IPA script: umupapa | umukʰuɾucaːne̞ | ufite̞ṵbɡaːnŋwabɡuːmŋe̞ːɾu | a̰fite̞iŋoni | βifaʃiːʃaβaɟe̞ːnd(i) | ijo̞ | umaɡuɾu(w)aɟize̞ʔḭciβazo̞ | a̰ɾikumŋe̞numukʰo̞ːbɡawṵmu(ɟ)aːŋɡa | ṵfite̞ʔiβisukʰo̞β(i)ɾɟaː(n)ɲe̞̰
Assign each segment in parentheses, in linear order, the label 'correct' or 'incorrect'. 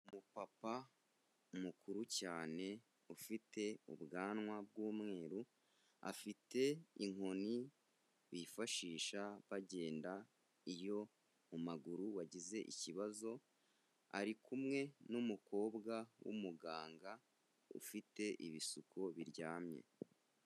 incorrect: a, correct, incorrect: ɡ, correct, incorrect: m

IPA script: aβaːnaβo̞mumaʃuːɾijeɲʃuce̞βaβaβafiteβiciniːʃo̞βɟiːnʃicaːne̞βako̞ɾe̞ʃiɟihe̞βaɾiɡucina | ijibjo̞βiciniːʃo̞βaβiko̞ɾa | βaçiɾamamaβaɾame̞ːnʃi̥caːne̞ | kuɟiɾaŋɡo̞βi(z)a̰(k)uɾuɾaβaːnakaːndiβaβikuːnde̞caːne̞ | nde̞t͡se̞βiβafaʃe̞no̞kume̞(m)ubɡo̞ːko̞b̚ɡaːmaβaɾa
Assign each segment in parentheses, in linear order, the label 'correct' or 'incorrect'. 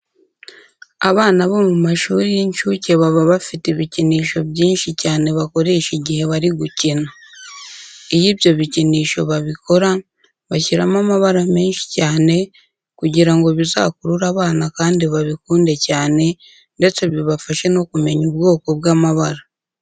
correct, correct, incorrect: ɲ

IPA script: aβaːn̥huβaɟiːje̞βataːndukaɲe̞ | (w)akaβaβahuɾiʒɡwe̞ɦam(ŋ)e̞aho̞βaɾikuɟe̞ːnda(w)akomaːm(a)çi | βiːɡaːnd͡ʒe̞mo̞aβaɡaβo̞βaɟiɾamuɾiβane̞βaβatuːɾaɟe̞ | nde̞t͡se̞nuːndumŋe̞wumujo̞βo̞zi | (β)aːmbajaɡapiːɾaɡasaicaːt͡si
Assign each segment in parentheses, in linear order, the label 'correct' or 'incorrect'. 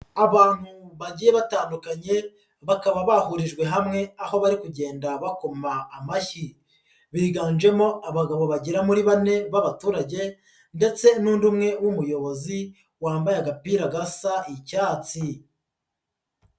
incorrect: β, correct, incorrect: β, correct, incorrect: w

